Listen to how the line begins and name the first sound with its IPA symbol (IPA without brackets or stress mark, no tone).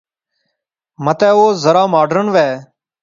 m